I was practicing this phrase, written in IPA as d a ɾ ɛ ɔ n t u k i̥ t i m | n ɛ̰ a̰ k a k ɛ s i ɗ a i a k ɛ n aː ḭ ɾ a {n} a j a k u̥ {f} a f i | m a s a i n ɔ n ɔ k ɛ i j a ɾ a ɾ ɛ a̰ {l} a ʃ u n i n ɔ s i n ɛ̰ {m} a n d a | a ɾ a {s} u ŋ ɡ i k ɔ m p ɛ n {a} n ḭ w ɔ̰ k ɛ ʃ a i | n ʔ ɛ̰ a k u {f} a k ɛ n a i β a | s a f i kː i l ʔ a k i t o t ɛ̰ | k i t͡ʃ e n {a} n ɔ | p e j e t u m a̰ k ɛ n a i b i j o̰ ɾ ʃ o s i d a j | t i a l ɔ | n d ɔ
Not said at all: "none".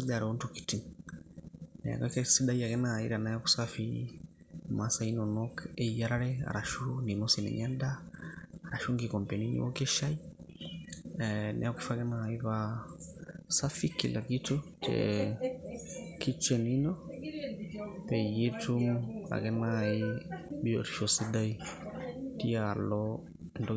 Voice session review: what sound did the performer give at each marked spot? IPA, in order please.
n, s, ɾ, ɲ, ʃ, i, f, i

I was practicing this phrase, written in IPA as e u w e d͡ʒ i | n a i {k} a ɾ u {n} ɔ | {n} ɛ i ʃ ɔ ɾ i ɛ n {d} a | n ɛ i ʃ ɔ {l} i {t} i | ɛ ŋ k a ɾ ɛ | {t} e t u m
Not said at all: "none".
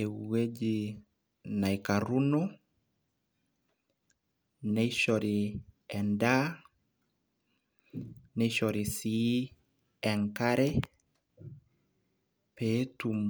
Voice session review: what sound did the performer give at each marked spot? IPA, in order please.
k, n, n, d, ɾ, s, p

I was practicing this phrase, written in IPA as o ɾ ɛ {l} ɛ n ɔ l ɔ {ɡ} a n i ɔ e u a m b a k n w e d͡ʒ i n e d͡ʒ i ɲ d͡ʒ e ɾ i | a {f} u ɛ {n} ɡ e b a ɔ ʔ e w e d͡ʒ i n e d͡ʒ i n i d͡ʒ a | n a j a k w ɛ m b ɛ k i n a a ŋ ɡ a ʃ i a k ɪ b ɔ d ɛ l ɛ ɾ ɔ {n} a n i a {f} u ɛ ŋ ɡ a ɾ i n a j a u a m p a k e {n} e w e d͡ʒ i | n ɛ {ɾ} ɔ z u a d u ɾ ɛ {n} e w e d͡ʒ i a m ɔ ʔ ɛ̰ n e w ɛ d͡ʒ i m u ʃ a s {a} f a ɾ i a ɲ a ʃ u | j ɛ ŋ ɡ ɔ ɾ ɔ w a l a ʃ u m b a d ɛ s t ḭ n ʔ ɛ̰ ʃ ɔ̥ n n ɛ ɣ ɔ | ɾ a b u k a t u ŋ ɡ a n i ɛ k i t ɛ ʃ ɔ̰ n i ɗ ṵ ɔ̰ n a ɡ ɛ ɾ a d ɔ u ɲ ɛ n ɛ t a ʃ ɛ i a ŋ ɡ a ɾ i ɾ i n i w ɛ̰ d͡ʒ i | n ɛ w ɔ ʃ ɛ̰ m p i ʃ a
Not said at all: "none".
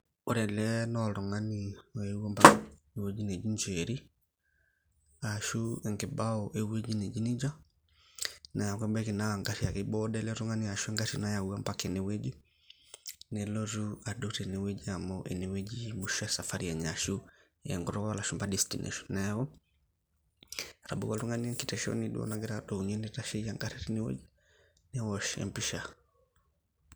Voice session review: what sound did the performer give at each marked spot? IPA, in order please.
l, ŋ, ʃ, ŋ, ŋ, ʃ, n, l, n, a

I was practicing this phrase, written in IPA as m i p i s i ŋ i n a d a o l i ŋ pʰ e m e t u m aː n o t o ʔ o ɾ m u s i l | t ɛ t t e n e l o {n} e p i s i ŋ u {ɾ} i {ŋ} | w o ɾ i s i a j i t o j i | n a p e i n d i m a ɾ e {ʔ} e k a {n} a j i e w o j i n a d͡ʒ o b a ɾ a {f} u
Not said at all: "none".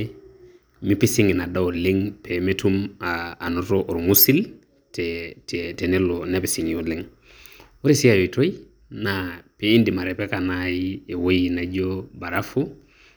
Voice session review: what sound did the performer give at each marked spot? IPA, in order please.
n, l, ŋ, p, n, f

